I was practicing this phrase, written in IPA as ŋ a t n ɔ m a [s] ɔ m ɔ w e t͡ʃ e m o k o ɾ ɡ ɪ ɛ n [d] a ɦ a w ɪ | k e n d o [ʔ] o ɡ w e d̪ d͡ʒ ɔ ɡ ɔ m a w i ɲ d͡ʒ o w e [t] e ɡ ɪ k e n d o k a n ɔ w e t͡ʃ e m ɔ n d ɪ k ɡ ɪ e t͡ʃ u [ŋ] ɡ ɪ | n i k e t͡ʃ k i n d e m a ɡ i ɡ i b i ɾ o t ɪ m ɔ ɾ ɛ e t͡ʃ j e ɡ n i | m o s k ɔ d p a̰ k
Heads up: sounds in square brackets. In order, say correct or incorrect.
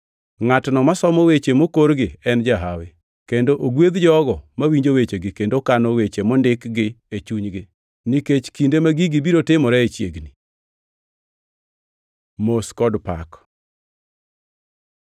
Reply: correct, incorrect, correct, incorrect, incorrect

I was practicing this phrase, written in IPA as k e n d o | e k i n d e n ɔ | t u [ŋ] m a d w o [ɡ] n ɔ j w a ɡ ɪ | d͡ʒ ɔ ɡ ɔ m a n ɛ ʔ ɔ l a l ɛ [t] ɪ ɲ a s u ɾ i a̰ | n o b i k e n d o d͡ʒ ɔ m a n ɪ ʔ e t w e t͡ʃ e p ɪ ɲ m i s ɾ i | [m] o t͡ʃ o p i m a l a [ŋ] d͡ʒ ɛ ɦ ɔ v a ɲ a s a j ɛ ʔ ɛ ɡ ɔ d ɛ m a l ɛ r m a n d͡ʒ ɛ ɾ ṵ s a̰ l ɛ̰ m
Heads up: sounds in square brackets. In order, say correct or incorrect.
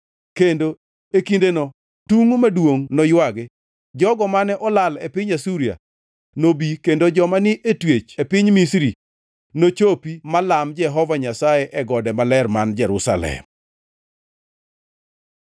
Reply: correct, incorrect, incorrect, incorrect, incorrect

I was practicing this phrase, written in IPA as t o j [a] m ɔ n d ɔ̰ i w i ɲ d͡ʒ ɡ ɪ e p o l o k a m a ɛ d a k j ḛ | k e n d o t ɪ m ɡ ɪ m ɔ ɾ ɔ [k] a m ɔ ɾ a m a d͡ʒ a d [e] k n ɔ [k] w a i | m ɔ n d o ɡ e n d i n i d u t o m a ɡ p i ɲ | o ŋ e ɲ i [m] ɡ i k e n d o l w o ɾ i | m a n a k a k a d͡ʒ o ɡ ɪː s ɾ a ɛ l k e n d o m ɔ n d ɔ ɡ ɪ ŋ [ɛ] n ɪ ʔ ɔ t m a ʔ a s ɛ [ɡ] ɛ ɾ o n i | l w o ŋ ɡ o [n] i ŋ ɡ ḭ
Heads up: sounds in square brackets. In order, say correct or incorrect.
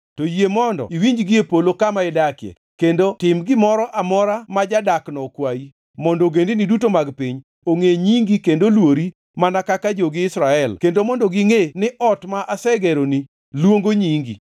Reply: incorrect, incorrect, incorrect, correct, incorrect, incorrect, correct, incorrect

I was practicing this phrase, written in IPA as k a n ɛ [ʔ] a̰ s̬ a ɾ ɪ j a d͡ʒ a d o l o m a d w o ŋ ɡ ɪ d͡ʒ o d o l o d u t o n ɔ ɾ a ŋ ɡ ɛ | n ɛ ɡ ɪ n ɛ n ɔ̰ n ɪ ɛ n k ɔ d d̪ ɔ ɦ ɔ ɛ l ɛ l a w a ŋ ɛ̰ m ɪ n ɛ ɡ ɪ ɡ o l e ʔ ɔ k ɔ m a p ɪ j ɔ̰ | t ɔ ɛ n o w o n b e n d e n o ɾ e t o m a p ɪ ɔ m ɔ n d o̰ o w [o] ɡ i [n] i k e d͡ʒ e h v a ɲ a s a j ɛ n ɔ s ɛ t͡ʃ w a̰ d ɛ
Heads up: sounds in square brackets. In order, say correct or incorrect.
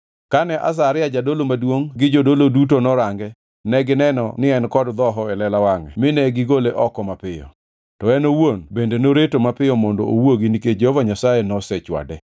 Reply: correct, correct, correct

